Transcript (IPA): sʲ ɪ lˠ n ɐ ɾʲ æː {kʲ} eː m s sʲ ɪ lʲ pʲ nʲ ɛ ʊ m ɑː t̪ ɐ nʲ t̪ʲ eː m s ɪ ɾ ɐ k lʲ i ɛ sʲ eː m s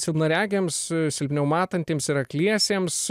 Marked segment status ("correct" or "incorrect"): incorrect